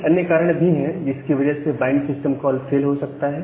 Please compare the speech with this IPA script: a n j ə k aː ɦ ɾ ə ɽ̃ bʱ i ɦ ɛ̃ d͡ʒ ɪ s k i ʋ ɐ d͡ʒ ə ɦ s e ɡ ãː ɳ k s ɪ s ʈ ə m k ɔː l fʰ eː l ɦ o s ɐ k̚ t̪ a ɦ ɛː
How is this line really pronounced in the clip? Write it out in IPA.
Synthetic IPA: ɐ n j ə k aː ɾ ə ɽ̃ bʱ i ɦ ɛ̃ d͡ʒ ɪ s k i ʋ ɐ d͡ʒ ə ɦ s e b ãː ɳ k s ɪ s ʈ ə m k ɔː l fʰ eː l ɦ o s ɐ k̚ t̪ a ɦ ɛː